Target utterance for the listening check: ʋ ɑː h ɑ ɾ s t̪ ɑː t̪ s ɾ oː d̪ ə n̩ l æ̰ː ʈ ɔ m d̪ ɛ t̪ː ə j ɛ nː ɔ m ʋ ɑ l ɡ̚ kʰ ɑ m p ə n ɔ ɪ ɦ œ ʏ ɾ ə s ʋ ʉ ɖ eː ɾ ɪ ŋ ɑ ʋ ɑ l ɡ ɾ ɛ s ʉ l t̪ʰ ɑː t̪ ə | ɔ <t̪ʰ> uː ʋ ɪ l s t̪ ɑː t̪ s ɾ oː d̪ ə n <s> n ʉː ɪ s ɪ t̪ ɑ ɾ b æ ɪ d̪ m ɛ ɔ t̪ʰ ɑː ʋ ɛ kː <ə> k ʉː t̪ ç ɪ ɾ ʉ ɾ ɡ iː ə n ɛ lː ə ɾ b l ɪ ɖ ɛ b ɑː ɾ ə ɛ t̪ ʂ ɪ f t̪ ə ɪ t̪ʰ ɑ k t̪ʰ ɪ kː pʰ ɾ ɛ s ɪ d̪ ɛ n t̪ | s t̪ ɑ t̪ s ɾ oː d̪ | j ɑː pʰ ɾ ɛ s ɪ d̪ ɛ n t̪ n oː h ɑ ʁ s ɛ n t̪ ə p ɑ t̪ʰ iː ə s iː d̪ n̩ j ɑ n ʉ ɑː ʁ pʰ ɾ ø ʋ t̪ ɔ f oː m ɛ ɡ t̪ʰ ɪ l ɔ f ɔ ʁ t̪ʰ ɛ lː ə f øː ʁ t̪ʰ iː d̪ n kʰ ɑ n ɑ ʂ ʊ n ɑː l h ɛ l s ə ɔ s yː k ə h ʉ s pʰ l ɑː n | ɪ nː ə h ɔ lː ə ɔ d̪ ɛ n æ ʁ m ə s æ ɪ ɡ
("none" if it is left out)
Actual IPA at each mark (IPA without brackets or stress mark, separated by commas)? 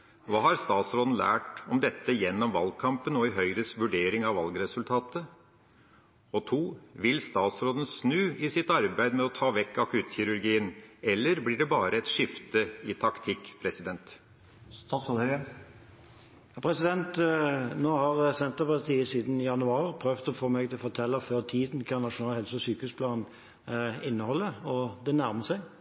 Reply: t̪ʰ, s, ɑ